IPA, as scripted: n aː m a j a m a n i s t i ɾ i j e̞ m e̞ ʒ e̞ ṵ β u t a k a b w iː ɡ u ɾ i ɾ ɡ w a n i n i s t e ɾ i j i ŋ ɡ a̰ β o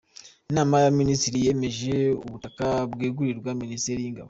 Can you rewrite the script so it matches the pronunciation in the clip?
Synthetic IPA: n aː m a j a m i n i s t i ɾ i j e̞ m e̞ ʒ e̞ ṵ β u t a k a b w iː ɡ u ɾ i ɾ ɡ w a m i n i s t e ɾ i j i ŋ ɡ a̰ β o